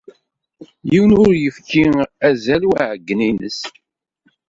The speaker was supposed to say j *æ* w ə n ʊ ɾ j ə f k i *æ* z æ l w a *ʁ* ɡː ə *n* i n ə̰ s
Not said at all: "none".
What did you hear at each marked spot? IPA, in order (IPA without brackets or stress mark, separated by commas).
i, æ, ʕ, n